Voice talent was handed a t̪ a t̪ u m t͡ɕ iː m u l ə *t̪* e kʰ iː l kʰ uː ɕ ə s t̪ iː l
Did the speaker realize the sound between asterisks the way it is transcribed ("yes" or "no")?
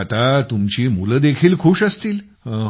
no